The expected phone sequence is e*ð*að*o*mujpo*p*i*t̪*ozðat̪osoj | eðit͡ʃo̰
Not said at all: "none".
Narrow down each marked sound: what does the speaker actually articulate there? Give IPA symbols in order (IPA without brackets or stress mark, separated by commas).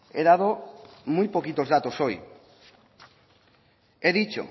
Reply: ð, o, k, t̪